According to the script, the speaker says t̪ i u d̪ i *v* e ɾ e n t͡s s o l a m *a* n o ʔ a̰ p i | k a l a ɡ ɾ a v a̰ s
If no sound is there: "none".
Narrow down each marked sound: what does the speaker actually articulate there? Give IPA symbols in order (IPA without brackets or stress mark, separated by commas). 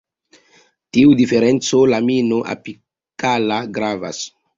f, i